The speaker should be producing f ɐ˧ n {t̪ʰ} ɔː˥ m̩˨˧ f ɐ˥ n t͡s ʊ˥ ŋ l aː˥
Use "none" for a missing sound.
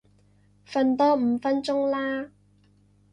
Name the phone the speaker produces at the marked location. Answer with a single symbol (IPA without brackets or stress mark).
t̪